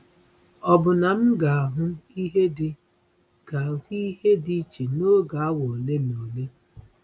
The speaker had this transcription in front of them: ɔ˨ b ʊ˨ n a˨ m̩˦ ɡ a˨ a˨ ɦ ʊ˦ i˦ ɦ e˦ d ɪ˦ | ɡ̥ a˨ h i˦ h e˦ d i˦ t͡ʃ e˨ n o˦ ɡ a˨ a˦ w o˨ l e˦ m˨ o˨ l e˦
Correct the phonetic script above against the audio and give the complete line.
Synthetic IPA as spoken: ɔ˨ b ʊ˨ n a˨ m̩˦ ɡ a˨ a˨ ɦ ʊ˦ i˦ ɦ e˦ d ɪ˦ | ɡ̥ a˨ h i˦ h e˦ d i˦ t͡ʃ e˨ n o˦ ɡ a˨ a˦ w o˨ l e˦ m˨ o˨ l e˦